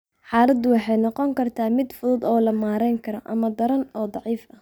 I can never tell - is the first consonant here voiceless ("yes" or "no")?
yes